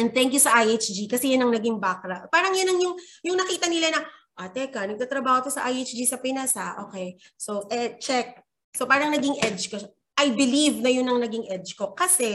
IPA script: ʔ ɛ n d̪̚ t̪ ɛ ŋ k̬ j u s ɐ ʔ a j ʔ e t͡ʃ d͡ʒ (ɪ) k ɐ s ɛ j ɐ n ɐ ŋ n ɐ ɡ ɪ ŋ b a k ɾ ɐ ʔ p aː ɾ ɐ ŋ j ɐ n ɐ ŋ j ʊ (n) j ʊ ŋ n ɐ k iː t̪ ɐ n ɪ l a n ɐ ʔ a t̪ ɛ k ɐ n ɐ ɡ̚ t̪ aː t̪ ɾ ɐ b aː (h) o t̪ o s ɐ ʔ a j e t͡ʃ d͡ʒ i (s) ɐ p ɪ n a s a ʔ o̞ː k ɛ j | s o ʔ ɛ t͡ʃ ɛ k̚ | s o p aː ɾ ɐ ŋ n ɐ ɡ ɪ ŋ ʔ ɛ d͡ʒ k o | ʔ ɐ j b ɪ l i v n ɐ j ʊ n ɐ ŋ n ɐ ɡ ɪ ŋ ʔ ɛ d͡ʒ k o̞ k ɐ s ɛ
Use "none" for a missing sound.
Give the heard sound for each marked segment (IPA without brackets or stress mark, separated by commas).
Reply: i, ŋ, h, s